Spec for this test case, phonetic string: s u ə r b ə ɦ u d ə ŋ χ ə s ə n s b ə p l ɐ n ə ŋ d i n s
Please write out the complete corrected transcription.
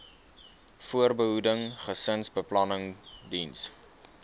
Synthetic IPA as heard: f u ə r b ə ɦ u d ə ŋ χ ə s ə n s b ə p l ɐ n ə ŋ d i n s